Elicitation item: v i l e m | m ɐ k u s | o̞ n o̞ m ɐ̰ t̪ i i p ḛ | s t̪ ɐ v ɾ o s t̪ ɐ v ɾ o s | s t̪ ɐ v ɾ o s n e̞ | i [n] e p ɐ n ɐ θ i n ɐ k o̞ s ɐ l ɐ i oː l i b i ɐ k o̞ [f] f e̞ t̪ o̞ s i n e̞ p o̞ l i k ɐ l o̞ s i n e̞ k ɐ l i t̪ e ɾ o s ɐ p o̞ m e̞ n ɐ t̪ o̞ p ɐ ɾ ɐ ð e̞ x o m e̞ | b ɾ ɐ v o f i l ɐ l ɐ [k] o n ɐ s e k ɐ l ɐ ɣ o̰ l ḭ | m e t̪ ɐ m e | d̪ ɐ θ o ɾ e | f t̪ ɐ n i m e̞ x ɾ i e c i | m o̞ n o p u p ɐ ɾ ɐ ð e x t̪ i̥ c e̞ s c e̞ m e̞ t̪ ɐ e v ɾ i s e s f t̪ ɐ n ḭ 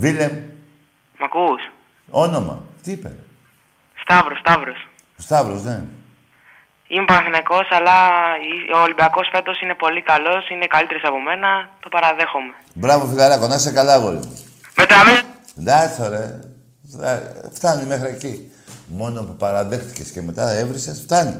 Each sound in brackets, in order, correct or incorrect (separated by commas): incorrect, incorrect, correct